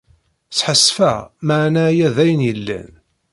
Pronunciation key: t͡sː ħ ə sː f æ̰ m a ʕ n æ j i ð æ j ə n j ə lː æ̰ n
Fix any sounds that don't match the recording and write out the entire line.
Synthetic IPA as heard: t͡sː ħ ə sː f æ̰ m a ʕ n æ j æ ð æ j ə n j ə lː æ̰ n